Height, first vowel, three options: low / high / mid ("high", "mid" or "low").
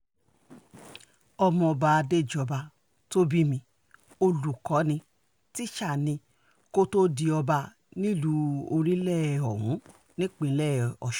mid